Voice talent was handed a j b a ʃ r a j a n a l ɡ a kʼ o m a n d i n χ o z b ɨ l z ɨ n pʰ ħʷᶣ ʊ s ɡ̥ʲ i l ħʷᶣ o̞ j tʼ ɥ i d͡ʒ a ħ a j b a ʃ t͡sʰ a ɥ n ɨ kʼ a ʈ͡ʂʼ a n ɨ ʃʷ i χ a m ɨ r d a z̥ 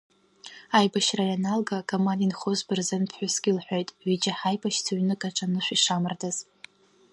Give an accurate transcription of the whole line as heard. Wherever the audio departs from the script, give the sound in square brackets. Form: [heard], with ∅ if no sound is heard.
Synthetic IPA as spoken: a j b a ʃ r a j a n a l ɡ a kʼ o m a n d i n χ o z b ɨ [r] z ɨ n pʰ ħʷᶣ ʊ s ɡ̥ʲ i l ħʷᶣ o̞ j tʼ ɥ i d͡ʒ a ħ a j b a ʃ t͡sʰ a ɥ n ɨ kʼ a ʈ͡ʂʼ a n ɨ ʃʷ i [ʂ] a m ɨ r d a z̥